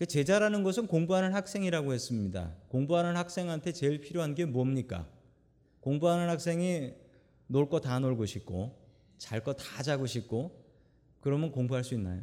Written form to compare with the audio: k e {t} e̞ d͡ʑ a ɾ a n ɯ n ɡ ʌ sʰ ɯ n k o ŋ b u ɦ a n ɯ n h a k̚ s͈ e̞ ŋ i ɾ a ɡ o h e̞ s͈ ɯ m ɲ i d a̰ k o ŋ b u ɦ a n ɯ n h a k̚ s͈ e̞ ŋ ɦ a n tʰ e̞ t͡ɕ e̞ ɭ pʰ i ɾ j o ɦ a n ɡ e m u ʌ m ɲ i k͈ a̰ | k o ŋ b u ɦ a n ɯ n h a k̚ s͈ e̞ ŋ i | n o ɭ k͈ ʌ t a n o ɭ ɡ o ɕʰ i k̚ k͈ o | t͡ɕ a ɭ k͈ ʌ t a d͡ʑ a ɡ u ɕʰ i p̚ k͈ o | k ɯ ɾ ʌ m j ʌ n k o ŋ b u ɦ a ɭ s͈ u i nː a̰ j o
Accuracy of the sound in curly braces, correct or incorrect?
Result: incorrect